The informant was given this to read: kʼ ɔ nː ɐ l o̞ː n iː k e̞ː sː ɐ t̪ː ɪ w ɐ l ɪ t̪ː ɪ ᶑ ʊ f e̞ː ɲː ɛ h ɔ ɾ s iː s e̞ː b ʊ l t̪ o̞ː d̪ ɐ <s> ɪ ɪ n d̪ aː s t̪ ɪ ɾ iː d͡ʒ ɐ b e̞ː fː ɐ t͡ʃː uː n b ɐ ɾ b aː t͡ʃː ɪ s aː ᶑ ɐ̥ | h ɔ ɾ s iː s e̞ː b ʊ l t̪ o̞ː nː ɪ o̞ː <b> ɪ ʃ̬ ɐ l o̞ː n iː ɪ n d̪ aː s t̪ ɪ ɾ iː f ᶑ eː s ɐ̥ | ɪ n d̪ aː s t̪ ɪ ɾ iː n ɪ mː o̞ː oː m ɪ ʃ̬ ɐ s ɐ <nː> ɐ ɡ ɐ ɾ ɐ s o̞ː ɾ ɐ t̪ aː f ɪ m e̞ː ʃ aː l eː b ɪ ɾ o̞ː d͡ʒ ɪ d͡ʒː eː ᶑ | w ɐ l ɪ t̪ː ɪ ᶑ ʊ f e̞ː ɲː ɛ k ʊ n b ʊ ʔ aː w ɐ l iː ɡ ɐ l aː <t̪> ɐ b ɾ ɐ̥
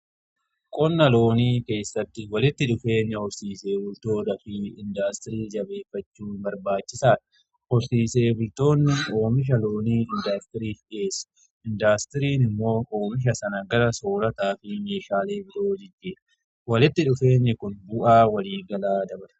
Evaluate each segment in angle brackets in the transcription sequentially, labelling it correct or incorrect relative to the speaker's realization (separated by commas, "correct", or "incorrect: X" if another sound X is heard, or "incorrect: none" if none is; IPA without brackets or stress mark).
incorrect: f, incorrect: m, incorrect: n, incorrect: d̪